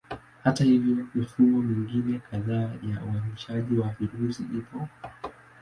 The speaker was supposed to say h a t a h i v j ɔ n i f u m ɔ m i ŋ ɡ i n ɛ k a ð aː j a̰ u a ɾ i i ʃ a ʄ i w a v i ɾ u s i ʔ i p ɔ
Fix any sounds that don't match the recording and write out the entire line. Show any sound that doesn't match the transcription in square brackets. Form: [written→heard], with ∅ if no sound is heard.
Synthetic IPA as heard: h a t a h i v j ɔ [n→m] i f u m ɔ m i ŋ ɡ i n ɛ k a ð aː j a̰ u a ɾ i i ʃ a ʄ i w a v i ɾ u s i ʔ i p ɔ